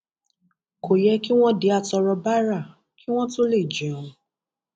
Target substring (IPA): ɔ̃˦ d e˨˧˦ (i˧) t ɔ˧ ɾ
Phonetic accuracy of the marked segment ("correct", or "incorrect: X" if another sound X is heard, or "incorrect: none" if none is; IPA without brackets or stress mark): incorrect: a˧